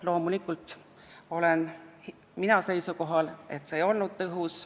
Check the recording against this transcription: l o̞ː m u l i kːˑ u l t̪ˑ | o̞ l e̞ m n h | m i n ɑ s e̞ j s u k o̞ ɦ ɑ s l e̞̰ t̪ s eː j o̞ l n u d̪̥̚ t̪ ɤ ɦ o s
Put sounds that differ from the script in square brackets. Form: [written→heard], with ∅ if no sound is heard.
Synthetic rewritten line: l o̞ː m u l i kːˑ u l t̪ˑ | o̞ l e̞ [m→∅] n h | m i n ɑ s e̞ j s u k o̞ ɦ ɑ [s→∅] l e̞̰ t̪ s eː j o̞ l n u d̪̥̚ t̪ ɤ ɦ [o→u] s